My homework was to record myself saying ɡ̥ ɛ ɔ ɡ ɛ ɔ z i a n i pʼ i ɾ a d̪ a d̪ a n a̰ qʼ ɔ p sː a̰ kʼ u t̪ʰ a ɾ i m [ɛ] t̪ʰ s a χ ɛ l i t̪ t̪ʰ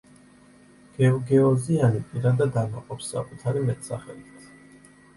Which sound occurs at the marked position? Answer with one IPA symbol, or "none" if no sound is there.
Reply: ɛ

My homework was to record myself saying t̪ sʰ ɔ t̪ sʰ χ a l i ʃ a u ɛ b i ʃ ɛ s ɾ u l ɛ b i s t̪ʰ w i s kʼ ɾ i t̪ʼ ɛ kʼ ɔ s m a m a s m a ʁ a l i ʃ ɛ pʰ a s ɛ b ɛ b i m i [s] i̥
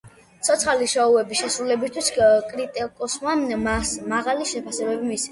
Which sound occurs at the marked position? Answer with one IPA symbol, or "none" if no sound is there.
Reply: s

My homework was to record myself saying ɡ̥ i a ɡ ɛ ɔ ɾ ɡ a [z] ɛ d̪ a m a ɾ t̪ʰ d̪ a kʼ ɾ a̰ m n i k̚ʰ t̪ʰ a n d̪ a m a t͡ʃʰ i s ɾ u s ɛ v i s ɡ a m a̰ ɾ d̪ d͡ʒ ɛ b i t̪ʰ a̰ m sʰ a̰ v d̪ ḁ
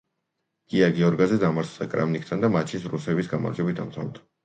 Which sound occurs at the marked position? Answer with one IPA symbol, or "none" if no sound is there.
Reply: z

